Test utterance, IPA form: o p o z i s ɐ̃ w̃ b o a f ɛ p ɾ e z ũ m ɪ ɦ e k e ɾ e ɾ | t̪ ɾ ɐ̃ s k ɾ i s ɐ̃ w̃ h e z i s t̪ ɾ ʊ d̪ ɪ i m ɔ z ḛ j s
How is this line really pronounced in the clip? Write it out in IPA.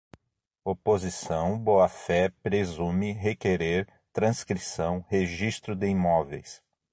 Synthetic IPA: o p o z i s ɐ̃ w̃ b o a f ɛ p ɾ e z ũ m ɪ ɦ e k e ɾ e ɾ | t̪ ɾ ɐ̃ s k ɾ i s ɐ̃ w̃ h e ʒ i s t̪ ɾ ʊ d̪ ɪ i m ɔ v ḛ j s